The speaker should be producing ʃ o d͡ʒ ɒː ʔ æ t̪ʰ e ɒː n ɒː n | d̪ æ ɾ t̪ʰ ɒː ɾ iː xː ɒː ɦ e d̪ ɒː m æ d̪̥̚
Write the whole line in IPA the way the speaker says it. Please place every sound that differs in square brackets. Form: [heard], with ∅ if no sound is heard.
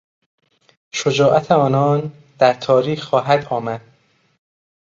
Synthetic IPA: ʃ o d͡ʒ ɒː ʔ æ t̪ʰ e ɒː n ɒː n | d̪ æ ɾ t̪ʰ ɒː ɾ iː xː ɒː ɦ [æ] d̪ ɒː m æ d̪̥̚

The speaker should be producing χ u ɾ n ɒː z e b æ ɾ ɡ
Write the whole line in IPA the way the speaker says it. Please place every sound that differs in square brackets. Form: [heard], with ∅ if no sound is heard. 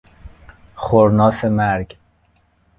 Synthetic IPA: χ [o] ɾ n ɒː [s] e [m] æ ɾ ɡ

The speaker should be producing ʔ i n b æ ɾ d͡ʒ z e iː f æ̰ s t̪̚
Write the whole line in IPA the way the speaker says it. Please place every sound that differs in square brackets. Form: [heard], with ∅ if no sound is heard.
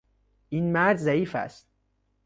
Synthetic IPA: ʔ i n [m] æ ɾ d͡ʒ z [æ] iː f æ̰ s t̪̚

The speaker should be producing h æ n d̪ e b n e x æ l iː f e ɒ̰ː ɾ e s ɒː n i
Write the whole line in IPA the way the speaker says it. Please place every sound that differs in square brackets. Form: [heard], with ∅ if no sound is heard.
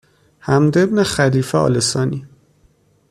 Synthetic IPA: h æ [m] d̪ e b n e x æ l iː f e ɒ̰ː [l] e s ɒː n i

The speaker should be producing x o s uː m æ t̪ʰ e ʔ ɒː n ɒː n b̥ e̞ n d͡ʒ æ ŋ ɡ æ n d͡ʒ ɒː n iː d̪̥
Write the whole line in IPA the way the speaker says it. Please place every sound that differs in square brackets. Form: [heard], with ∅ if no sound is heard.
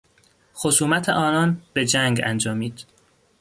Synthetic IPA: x o s uː m æ t̪ʰ e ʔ ɒː n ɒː n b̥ e̞ [∅] d͡ʒ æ ŋ ɡ æ n d͡ʒ ɒː [m] iː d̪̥

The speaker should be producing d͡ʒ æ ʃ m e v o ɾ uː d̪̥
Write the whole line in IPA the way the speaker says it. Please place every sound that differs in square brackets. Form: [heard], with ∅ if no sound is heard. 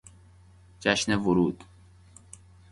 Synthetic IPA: d͡ʒ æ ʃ [n] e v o ɾ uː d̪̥

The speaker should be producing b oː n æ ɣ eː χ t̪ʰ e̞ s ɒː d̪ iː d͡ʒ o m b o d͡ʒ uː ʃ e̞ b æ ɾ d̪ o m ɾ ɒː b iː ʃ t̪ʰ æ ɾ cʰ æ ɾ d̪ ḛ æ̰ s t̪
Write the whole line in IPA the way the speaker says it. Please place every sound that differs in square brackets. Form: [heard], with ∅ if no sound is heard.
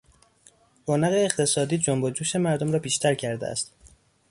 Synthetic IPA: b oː n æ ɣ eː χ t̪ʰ e̞ s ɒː d̪ iː d͡ʒ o m b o d͡ʒ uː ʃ e̞ [m] æ ɾ d̪ o m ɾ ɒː b iː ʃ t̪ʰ æ ɾ cʰ æ ɾ d̪ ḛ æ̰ s t̪

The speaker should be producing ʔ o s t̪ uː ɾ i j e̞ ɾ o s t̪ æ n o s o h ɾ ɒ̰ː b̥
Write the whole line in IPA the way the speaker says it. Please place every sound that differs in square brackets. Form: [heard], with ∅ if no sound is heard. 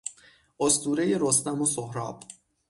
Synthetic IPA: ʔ o s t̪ uː ɾ [e] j e̞ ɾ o s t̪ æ [m] o s o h ɾ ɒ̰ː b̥

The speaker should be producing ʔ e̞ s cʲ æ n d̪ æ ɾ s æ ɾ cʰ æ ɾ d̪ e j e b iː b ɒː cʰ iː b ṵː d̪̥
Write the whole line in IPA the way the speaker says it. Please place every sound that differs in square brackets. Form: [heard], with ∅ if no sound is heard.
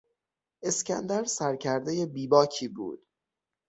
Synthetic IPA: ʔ e̞ s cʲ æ n d̪ æ ɾ s æ ɾ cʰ æ ɾ d̪ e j e b iː b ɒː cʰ iː b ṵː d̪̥

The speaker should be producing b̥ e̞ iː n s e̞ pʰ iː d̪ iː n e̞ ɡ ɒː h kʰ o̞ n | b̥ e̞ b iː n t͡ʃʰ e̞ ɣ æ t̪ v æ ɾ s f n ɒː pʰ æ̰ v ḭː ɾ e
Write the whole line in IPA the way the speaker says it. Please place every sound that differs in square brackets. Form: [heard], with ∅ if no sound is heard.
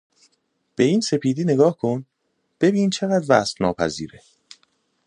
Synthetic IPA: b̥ e̞ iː n s e̞ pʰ iː d̪ iː n e̞ ɡ ɒː h kʰ o̞ n | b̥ e̞ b iː n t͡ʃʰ e̞ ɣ æ [d̪] v æ [∅] s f n ɒː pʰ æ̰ [z] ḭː ɾ e

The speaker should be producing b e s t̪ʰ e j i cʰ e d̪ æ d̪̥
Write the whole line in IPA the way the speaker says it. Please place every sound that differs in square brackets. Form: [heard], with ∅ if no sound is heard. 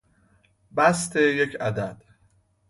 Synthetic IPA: b [æ] s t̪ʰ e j [e] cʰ [æ] d̪ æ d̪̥

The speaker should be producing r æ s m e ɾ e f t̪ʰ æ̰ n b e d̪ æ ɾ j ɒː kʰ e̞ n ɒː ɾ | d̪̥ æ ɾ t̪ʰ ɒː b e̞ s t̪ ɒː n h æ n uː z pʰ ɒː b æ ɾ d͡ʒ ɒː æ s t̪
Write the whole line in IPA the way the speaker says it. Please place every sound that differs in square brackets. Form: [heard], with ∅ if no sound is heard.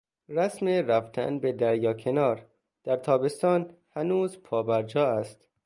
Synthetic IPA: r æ s m e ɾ [æ] f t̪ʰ æ̰ n b e d̪ æ ɾ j ɒː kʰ e̞ n ɒː ɾ | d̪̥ æ ɾ t̪ʰ ɒː b e̞ s t̪ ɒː n h æ n uː z pʰ ɒː b æ ɾ d͡ʒ ɒː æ s t̪

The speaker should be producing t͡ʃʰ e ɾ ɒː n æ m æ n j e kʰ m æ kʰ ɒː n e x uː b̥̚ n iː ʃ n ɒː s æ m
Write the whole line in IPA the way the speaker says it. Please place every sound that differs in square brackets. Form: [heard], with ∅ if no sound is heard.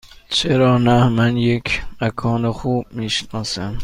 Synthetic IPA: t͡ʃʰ e ɾ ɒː n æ m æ n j e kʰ m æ kʰ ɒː n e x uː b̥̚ [m] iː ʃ n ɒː s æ m

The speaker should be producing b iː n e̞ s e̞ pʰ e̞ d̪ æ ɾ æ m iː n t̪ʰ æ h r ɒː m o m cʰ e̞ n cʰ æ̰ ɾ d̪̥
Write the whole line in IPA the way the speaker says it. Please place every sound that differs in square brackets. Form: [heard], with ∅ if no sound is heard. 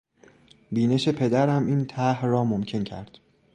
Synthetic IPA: b iː n e̞ [ʃ] e̞ pʰ e̞ d̪ æ ɾ æ m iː n t̪ʰ æ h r ɒː m o m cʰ e̞ n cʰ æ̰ ɾ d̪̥

